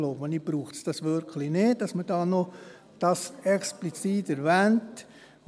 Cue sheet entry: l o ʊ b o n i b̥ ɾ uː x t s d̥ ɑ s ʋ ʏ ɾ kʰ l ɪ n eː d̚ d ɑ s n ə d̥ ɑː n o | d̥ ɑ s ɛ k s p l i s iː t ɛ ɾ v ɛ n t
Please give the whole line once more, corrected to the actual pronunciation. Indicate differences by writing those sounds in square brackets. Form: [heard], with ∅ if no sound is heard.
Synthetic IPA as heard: l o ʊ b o n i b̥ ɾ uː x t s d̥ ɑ s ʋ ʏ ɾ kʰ l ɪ n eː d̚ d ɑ s [m] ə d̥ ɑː n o | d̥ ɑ s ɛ k s p l i [t͡s] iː t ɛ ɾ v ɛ n t